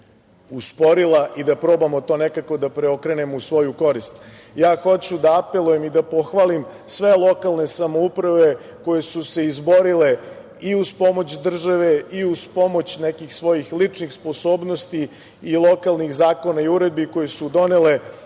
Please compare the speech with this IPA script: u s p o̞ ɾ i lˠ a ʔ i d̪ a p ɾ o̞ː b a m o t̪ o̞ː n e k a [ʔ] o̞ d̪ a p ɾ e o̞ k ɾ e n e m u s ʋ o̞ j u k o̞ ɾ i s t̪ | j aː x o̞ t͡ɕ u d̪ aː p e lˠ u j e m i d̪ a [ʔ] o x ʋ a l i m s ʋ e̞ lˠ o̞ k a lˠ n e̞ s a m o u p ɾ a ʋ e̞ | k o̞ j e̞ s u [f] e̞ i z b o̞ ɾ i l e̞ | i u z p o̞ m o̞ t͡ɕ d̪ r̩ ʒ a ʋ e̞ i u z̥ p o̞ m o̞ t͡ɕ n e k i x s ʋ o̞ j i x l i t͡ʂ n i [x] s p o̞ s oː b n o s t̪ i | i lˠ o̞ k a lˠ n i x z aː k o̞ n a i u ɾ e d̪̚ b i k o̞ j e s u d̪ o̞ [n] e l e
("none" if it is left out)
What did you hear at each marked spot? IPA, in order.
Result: k, p, s, x, n

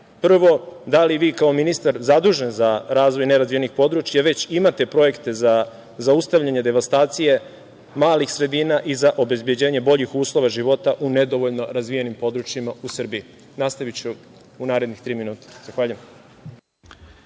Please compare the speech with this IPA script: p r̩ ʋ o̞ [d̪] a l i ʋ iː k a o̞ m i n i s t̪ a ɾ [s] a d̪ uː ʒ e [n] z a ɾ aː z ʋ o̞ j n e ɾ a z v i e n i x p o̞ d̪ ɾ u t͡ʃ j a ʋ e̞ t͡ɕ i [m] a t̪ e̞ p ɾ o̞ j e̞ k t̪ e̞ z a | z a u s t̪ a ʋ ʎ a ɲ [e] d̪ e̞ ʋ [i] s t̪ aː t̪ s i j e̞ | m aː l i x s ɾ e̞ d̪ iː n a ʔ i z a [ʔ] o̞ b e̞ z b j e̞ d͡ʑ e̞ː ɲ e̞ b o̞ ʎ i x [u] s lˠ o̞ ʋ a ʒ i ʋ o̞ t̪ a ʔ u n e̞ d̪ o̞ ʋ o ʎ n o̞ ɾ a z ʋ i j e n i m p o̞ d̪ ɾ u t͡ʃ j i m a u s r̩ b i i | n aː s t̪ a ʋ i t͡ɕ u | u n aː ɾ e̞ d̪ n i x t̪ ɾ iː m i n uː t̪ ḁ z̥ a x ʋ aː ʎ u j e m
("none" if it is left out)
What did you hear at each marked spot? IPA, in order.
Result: d̪, z, n, m, e, a, ʔ, uː

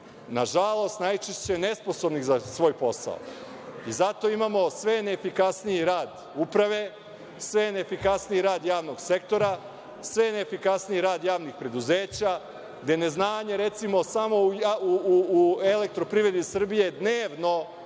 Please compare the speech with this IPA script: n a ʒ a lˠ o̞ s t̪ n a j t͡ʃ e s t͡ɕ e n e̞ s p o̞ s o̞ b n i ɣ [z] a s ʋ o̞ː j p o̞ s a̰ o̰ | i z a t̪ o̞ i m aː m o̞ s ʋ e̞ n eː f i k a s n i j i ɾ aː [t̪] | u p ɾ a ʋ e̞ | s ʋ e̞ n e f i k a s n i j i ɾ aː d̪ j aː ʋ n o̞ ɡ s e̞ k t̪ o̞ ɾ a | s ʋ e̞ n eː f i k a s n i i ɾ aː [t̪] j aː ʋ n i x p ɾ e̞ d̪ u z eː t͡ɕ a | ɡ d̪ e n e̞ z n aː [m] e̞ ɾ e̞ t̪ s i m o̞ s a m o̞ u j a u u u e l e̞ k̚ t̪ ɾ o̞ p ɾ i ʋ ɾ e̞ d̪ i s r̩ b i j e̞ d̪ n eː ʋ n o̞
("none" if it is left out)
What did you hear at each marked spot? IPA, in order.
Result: z, d̪, d̪, ɲ

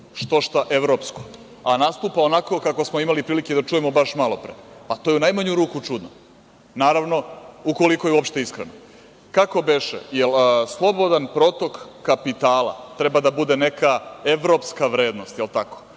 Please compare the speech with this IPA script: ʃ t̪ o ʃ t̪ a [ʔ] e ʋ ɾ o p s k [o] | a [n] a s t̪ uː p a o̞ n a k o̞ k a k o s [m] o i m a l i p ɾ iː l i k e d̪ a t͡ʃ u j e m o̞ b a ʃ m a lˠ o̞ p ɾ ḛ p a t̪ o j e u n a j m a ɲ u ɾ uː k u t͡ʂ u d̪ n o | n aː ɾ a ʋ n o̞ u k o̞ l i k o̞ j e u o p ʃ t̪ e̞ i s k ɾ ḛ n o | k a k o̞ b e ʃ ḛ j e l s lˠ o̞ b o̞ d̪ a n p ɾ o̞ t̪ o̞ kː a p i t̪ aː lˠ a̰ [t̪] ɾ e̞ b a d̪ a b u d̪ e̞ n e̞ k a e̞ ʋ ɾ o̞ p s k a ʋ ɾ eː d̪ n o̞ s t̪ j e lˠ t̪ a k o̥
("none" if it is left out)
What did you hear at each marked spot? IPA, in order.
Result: ʔ, o, n, m, t̪

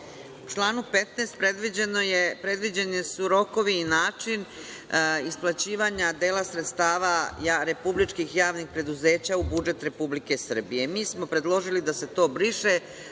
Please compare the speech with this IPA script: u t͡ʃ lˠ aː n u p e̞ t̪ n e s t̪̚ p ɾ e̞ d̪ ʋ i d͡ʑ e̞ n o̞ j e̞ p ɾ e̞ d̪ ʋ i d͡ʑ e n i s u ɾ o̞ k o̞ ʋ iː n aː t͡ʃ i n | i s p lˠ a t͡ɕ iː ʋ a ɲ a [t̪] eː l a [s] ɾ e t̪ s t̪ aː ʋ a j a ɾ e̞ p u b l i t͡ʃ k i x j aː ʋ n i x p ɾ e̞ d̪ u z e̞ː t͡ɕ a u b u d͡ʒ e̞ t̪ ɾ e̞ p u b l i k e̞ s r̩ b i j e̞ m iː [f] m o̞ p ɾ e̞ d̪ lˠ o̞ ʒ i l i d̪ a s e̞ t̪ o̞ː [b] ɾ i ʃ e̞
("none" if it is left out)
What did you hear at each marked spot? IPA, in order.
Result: d̪, s, s, b

